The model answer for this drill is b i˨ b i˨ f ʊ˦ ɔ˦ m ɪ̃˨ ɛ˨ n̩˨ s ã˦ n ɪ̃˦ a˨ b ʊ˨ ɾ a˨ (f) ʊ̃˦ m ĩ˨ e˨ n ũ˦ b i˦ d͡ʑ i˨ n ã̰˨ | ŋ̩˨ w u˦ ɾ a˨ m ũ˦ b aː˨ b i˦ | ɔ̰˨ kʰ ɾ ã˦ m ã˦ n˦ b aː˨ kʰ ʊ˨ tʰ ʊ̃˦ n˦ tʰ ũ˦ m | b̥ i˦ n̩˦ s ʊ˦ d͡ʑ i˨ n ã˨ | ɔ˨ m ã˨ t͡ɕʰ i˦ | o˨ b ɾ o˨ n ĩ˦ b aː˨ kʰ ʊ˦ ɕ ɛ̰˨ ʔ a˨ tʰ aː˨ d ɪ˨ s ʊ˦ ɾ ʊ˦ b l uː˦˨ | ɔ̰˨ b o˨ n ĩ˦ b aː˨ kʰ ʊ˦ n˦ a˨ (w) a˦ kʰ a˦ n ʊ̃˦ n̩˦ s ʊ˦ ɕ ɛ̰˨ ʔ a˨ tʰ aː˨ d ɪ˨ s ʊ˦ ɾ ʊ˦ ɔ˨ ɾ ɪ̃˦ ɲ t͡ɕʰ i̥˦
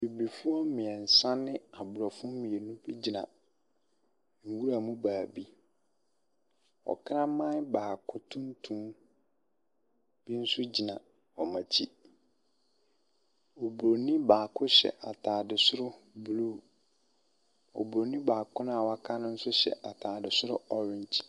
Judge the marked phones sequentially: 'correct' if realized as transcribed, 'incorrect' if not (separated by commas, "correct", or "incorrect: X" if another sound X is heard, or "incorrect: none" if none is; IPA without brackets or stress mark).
correct, correct